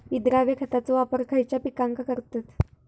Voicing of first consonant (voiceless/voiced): voiced